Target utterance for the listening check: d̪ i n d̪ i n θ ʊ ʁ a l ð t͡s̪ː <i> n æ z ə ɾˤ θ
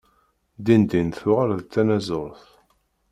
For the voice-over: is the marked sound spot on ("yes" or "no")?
no